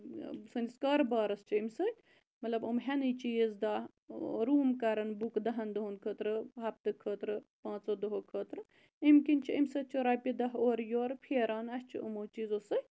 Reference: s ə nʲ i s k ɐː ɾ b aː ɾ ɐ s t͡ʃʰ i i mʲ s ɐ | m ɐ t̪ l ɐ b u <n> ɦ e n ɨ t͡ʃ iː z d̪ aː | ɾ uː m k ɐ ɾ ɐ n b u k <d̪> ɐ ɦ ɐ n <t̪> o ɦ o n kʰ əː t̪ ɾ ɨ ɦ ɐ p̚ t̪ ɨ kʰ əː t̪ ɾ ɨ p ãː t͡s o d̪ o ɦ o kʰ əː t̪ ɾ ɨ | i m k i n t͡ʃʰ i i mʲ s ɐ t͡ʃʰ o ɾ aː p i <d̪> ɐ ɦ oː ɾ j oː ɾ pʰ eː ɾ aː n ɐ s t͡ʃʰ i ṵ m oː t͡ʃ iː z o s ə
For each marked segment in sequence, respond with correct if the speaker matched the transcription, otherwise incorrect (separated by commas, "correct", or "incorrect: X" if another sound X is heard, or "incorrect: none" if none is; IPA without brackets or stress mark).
incorrect: m, correct, incorrect: d̪, correct